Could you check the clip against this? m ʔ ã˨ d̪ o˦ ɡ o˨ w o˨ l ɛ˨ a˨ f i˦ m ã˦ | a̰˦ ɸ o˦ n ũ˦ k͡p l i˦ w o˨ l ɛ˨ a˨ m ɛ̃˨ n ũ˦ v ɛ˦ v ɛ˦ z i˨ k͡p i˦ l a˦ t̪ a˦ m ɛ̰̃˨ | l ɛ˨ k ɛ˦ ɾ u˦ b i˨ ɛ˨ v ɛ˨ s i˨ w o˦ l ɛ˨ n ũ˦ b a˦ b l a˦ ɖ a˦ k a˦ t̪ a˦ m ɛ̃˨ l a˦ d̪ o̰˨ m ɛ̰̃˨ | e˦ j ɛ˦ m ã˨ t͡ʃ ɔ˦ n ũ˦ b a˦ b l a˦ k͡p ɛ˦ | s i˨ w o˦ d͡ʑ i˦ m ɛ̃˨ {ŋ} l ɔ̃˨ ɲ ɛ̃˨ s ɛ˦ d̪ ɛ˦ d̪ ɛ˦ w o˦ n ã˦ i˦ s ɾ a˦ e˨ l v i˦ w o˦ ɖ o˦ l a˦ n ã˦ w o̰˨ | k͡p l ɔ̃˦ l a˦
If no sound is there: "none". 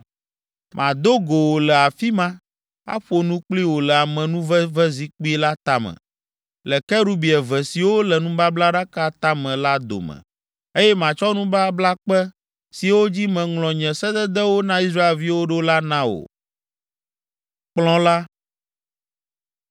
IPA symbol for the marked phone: ŋ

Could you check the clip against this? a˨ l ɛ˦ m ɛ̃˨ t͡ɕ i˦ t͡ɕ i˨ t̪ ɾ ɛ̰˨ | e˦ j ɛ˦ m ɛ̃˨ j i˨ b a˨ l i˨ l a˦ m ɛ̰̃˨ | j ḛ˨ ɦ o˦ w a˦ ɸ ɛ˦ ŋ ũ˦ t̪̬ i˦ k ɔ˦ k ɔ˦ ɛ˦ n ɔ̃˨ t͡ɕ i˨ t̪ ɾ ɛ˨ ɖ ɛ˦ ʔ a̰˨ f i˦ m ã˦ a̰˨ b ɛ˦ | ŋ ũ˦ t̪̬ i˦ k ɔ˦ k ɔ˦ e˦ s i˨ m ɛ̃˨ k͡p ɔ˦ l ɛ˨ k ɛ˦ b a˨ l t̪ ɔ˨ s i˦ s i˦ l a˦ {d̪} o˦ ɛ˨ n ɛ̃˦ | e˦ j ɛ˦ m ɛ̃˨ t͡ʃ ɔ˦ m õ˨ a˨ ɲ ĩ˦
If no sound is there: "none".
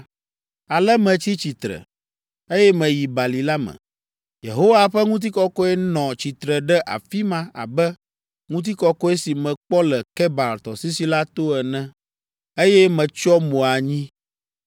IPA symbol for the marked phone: t̪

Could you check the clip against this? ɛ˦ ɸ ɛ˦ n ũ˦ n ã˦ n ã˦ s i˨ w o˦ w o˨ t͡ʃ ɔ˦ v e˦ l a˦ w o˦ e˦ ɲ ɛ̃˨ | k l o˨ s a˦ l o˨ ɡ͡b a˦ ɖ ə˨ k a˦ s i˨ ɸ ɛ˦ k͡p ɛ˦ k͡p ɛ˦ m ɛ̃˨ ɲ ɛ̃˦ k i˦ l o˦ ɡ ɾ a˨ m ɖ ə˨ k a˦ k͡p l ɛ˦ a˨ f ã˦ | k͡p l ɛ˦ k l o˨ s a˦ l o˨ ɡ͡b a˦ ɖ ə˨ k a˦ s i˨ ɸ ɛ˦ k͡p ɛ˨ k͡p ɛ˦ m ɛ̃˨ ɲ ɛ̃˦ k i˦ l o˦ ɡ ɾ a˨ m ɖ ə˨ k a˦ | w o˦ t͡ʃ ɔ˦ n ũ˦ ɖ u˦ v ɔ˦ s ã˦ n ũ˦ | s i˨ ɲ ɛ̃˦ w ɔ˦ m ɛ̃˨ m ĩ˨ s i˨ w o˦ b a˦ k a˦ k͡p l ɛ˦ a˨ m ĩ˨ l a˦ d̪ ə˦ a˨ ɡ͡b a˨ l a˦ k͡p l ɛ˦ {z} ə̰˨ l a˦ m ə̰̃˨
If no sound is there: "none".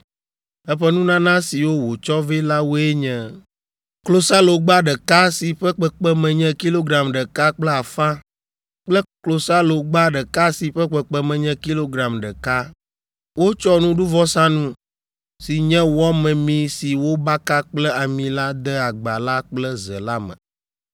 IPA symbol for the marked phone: z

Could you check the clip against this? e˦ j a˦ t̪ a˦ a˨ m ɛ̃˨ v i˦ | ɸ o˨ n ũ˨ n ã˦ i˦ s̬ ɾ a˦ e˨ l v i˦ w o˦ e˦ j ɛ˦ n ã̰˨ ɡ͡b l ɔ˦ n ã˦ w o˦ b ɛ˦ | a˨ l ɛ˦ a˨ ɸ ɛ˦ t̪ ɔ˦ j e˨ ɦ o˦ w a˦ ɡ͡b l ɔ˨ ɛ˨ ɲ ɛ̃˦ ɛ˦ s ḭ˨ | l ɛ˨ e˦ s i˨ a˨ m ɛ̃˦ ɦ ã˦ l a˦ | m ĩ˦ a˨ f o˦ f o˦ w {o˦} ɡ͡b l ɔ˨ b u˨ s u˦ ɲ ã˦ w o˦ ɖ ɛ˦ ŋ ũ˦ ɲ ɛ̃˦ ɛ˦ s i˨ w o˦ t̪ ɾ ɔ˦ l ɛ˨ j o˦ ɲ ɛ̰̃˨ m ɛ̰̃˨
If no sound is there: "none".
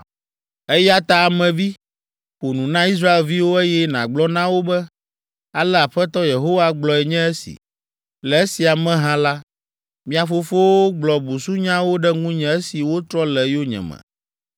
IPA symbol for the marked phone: o˦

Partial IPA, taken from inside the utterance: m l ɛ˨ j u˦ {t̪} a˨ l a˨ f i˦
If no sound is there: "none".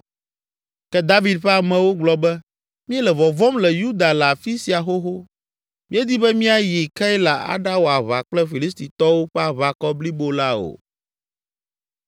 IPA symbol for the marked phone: d̪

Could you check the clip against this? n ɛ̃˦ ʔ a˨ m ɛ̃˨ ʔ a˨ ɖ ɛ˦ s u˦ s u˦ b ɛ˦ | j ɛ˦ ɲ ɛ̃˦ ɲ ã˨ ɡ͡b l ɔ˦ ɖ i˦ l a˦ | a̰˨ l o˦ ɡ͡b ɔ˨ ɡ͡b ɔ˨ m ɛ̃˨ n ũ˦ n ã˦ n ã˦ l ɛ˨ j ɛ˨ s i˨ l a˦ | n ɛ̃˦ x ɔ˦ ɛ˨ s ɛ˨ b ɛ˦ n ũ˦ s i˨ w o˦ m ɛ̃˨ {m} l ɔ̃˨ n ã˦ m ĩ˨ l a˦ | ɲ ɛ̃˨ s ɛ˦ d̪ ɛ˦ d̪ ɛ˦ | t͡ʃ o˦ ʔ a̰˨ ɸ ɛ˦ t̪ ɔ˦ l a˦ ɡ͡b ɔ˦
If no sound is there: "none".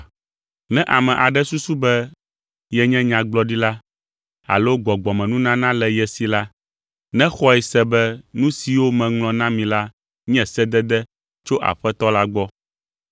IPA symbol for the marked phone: ŋ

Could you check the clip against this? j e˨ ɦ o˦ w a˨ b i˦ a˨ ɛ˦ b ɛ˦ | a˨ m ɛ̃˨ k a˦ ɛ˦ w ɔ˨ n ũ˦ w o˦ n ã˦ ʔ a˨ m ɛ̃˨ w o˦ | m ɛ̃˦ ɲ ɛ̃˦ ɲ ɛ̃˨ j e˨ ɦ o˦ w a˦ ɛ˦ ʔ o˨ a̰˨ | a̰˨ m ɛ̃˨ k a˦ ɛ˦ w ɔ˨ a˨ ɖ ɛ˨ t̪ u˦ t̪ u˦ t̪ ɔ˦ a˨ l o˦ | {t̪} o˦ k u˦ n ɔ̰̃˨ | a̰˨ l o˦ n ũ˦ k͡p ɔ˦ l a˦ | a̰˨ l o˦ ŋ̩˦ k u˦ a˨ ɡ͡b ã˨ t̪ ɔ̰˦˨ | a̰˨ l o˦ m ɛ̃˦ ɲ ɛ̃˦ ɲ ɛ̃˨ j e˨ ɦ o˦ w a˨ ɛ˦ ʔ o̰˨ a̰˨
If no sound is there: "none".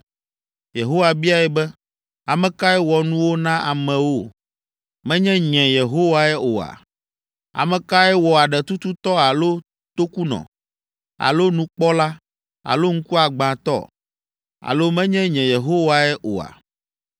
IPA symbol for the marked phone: t̪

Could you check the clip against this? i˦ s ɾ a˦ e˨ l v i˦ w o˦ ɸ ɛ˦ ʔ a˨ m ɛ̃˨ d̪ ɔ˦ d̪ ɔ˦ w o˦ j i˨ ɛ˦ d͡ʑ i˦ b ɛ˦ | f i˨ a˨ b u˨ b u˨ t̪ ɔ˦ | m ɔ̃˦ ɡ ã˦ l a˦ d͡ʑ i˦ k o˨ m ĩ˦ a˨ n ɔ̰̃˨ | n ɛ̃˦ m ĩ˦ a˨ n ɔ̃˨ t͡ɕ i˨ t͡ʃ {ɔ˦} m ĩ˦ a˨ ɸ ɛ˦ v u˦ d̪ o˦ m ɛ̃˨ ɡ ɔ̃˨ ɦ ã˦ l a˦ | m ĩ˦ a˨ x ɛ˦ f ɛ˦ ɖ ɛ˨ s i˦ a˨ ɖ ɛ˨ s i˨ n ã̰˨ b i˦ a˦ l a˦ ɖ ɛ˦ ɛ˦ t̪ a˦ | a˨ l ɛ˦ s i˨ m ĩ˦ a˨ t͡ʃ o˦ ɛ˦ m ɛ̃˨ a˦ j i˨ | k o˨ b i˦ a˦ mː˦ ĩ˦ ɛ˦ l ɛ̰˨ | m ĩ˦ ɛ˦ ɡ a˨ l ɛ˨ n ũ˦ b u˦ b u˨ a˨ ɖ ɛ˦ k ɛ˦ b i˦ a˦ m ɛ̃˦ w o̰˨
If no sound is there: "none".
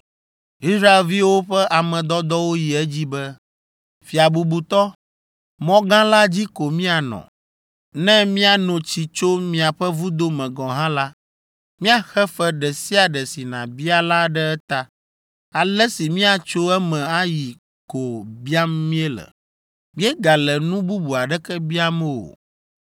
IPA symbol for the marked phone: o˦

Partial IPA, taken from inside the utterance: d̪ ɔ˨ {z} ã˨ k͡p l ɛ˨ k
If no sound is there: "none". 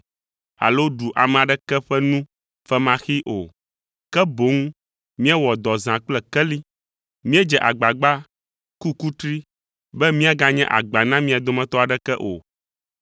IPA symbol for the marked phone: z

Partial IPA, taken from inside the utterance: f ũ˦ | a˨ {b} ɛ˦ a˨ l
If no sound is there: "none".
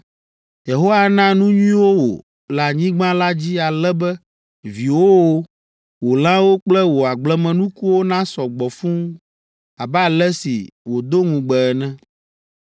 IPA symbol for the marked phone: b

